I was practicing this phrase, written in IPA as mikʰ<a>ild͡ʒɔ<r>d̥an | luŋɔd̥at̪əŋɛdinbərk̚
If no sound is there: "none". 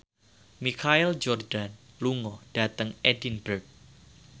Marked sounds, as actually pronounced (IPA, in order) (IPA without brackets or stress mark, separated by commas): a, r